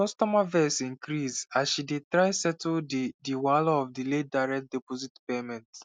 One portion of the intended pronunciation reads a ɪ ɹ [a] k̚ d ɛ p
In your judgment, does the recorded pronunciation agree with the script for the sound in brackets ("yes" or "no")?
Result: no